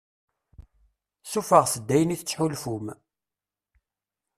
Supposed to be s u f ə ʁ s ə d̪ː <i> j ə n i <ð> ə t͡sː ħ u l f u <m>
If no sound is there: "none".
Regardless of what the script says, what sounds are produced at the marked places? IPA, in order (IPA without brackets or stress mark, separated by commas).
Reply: æ, θ, m